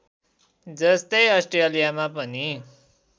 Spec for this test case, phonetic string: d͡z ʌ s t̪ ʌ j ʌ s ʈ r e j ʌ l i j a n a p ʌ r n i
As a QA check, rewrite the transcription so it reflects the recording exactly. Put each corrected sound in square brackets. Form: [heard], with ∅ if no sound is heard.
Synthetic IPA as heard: d͡z ʌ s t̪ ʌ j ʌ s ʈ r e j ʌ l i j a [m] a p ʌ [∅] n i